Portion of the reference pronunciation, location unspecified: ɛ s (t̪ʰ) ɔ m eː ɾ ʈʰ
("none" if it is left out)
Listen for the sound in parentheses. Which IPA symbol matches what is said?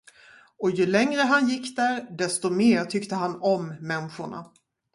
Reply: t̪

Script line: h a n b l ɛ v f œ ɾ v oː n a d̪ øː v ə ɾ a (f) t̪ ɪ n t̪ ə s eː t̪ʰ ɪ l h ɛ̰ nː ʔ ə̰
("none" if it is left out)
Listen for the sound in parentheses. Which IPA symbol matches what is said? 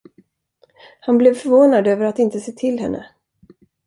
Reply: none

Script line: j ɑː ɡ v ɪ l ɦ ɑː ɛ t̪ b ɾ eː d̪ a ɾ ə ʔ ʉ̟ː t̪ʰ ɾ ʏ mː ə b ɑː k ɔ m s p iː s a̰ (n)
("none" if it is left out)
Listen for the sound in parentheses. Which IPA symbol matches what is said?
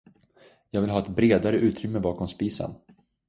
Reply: n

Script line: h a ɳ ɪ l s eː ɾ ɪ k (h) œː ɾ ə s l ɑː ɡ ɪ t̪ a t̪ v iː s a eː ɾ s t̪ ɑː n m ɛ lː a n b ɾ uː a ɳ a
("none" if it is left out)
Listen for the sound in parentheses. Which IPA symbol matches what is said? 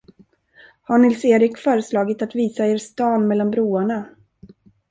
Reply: f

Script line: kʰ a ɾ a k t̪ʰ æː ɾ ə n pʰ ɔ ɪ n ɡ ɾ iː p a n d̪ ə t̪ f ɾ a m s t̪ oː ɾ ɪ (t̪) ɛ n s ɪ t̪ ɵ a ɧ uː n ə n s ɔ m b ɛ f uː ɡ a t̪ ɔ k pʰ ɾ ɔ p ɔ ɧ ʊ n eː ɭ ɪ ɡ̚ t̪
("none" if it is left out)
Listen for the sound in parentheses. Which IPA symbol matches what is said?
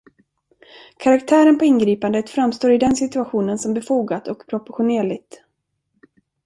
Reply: d̪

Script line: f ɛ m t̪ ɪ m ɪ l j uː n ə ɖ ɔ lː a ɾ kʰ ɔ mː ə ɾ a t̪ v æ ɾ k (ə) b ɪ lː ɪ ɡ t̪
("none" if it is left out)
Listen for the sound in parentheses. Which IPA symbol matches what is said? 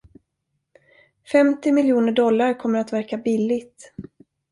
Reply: a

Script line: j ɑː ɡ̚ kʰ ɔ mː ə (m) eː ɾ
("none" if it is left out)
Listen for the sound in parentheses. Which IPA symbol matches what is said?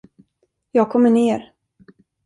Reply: ɳ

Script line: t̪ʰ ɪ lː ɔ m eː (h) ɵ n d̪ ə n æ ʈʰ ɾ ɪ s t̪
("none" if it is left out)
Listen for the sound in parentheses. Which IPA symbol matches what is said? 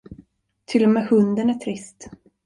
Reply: h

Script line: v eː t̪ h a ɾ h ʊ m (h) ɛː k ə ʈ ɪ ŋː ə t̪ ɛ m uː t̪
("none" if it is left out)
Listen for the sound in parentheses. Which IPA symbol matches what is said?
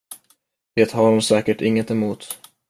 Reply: s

